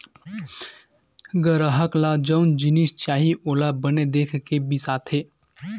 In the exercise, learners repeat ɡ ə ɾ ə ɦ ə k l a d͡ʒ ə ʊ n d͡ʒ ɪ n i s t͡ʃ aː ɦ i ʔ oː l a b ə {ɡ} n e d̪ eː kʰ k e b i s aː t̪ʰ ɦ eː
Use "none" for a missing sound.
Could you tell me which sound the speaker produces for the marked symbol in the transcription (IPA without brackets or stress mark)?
none